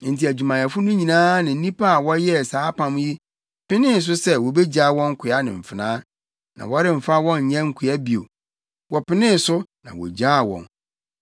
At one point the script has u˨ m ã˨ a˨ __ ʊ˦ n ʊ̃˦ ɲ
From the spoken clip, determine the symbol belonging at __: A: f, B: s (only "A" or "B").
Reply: A